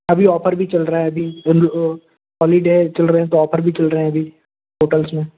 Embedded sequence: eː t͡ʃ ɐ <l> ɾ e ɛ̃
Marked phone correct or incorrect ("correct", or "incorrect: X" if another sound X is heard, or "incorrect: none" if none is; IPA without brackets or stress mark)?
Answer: correct